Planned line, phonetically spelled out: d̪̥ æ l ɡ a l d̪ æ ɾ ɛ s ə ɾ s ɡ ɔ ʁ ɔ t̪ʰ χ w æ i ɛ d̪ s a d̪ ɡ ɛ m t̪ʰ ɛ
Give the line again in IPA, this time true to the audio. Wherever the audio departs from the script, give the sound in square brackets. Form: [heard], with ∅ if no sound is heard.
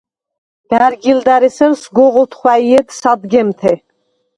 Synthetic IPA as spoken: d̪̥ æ [ɾ] ɡ [i] l d̪ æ ɾ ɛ s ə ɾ s ɡ ɔ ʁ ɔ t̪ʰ χ w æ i ɛ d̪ s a d̪ ɡ ɛ m t̪ʰ ɛ